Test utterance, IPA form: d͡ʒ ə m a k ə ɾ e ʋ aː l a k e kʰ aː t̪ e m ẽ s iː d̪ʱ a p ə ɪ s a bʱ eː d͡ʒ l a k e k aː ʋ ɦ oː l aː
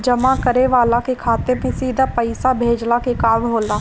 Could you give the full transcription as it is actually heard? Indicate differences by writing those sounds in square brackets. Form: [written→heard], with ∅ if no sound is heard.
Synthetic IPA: d͡ʒ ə m a k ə ɾ e ʋ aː l a k e kʰ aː t̪ e m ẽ s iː d̪ʱ a p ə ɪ s a bʱ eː d͡ʒ l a k e k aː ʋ ɦ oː l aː